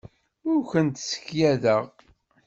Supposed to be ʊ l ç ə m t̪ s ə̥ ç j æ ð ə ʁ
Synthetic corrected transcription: ʊ ɾ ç ə n t̪ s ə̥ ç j æ ð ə ʁ